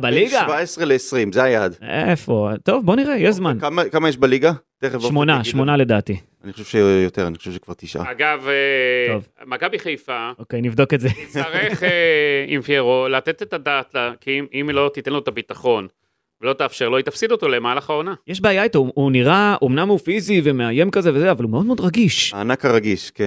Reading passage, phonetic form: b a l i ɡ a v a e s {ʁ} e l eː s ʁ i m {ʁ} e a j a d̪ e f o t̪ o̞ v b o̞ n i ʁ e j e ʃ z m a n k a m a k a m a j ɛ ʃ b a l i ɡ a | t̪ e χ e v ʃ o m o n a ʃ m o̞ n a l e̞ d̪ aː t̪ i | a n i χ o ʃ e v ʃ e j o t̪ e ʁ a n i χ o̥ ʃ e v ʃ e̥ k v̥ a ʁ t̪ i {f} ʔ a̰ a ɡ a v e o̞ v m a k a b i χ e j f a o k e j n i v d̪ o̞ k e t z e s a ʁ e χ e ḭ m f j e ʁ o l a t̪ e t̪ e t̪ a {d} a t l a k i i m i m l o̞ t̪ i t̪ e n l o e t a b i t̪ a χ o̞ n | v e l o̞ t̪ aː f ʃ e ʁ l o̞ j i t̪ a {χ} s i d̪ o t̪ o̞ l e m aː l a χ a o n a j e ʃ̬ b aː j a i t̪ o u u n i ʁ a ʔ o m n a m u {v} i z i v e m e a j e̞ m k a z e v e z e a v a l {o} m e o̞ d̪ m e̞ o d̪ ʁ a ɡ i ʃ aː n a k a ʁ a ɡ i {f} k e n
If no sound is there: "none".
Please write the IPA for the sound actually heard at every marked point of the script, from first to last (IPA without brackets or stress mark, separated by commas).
ʁ, z, ʃ, d, f, f, u, ʃ